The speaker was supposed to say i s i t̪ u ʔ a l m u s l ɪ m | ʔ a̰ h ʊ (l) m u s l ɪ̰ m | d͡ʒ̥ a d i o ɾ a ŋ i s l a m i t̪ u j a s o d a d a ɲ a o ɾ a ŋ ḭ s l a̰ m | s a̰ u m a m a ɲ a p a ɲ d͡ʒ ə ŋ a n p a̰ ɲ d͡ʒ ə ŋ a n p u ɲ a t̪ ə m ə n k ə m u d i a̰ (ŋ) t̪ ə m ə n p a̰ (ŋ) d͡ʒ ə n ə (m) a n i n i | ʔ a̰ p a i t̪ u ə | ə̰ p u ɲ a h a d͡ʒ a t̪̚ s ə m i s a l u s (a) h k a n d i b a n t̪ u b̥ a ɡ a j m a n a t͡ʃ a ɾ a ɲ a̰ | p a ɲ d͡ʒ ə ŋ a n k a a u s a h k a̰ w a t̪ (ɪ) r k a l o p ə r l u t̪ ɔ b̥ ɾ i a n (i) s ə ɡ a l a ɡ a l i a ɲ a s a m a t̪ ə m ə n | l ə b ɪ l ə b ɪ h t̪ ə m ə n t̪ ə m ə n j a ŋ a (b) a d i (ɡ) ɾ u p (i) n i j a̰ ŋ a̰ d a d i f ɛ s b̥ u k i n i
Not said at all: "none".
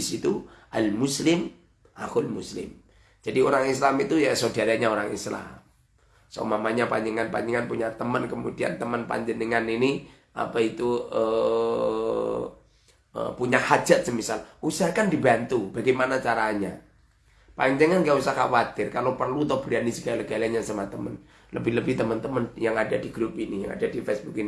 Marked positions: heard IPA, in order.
l, n, ɲ, ŋ, a, ɪ, i, d, ɡ, i

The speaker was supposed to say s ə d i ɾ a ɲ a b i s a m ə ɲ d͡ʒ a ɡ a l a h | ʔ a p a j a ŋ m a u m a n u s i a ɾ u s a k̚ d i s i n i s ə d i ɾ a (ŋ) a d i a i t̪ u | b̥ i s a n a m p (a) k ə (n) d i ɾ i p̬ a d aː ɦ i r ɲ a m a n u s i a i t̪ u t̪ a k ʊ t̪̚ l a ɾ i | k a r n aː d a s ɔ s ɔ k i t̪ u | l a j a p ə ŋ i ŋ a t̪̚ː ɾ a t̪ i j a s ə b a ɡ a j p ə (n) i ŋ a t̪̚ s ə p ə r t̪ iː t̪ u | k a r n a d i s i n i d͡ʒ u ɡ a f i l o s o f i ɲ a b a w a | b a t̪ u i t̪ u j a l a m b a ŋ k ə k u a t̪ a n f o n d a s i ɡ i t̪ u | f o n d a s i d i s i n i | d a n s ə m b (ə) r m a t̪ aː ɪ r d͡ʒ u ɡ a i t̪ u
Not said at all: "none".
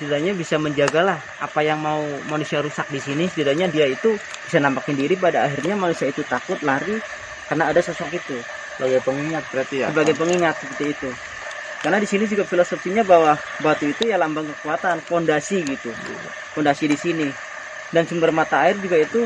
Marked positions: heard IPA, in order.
ɲ, a, n, ŋ, ə

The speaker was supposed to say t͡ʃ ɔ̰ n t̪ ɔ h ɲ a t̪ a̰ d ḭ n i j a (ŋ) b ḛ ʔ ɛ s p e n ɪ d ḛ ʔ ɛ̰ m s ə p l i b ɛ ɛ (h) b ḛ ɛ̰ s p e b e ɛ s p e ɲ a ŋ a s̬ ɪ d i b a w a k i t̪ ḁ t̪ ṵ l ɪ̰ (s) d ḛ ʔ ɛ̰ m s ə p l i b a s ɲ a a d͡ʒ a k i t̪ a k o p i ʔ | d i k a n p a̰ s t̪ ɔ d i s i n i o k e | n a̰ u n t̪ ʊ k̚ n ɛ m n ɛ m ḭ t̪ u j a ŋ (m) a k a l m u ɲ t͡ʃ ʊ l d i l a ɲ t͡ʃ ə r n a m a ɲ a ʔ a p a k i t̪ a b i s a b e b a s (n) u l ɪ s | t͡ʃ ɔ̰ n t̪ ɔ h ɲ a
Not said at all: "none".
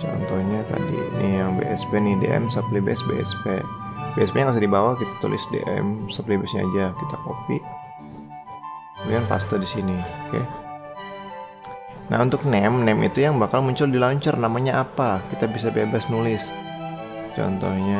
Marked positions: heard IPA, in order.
ŋ, s, s, b, n

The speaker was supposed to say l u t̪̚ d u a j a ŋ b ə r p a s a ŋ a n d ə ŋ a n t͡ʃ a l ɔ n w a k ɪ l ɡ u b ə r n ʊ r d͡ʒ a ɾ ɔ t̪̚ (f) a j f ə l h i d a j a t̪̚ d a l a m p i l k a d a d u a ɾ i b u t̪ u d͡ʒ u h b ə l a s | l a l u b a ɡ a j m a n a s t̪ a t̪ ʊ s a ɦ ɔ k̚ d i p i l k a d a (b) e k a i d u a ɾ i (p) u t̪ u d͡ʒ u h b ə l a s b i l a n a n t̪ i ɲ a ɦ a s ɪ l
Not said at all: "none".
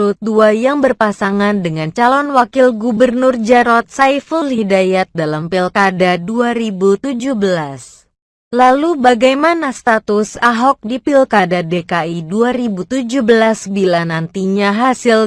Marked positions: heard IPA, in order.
s, d, b

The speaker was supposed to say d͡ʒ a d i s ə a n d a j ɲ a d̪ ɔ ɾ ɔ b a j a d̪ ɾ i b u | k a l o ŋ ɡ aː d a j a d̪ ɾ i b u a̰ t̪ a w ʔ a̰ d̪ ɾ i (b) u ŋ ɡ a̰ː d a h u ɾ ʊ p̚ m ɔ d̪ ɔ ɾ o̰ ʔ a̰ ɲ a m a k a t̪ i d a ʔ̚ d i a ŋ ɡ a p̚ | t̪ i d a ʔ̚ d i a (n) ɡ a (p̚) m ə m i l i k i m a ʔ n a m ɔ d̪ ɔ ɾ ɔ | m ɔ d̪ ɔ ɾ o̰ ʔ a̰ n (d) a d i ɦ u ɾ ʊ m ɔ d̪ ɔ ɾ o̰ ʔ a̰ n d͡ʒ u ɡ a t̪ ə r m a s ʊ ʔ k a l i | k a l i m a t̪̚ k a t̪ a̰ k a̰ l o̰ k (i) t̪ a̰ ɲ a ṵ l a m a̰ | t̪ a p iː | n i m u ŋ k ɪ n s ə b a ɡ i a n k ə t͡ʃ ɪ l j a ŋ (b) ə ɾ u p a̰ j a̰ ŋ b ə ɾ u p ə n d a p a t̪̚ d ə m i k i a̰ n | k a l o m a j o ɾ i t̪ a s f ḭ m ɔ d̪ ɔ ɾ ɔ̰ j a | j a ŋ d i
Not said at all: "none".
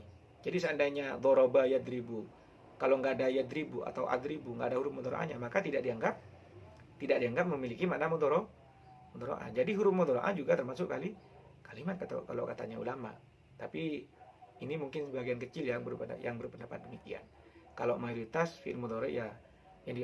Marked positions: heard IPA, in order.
b, ŋ, p̚, d͡ʒ, a, b

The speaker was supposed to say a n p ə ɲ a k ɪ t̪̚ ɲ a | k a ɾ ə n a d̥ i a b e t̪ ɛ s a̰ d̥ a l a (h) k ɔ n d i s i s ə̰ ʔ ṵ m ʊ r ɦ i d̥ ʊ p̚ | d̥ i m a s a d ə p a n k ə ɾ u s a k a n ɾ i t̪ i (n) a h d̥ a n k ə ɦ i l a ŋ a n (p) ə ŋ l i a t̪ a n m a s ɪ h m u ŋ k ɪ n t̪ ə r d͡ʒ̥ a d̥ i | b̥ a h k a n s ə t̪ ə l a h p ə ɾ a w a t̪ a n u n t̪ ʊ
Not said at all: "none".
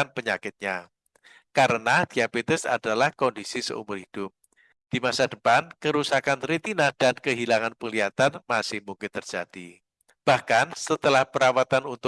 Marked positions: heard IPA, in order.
h, n, p

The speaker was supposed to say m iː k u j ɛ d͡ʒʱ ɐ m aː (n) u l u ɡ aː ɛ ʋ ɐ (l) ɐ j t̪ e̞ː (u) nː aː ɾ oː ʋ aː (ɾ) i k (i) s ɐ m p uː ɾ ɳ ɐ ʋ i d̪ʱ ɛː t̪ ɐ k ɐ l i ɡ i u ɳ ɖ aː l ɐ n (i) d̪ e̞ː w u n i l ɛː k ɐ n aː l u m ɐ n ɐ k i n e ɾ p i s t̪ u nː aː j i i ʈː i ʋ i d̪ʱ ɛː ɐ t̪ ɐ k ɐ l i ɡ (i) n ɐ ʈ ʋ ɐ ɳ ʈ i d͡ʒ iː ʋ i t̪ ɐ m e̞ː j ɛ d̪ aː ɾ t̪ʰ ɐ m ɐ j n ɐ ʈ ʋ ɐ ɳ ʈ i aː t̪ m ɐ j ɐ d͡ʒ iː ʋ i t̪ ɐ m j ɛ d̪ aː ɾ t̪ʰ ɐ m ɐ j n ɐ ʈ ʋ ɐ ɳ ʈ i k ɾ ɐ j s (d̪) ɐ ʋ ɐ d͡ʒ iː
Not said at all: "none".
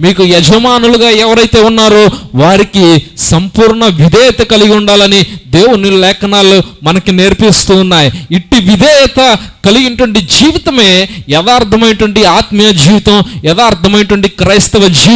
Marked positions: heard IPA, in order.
n, ɾ, u, ɾ, i, i, i, t̪

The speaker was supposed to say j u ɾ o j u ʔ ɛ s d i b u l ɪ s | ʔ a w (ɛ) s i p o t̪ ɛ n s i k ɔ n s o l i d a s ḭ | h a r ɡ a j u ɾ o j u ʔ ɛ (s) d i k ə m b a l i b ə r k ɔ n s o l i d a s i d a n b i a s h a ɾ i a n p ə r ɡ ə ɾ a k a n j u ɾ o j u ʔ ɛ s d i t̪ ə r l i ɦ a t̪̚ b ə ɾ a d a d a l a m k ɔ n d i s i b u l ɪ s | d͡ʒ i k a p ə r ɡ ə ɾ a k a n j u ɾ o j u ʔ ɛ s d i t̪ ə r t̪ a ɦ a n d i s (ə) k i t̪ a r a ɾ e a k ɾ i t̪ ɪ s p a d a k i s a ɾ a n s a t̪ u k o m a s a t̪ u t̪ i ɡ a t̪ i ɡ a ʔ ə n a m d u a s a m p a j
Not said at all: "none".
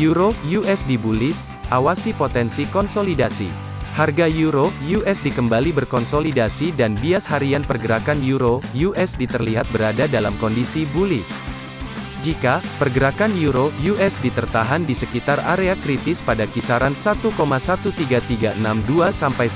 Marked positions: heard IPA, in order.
a, s, ə

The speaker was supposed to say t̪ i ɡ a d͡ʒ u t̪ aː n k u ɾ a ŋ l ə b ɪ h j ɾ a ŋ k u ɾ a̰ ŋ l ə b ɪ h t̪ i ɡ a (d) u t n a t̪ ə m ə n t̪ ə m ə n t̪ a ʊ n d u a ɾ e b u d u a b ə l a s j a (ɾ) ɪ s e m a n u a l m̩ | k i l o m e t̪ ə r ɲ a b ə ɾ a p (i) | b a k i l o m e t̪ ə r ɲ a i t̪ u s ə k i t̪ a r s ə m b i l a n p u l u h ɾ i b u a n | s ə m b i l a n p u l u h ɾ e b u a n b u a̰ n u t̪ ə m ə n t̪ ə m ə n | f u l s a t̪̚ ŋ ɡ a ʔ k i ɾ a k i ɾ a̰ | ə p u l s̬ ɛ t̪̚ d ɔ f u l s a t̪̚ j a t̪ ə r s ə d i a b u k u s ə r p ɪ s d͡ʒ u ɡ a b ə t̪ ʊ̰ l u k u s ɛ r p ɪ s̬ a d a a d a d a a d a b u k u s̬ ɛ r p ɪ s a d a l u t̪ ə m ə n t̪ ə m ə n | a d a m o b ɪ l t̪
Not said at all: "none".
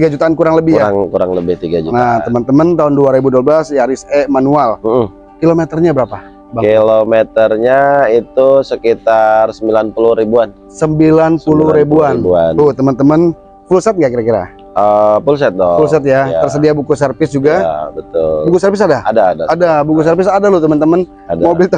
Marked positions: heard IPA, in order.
d͡ʒ, ɾ, a

